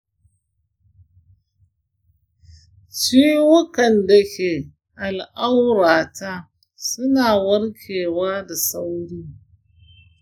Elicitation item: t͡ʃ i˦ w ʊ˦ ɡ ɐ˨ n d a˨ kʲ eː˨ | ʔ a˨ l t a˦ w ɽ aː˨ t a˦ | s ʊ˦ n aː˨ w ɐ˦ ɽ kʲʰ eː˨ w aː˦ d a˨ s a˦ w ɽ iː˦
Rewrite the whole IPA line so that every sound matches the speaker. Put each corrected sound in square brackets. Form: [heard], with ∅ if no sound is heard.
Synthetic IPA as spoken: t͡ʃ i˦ w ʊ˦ [k] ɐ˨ n d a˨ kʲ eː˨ | ʔ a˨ l [ʔ] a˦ w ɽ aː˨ t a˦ | s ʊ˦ n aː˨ w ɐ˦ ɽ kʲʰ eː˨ w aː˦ d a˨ s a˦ w ɽ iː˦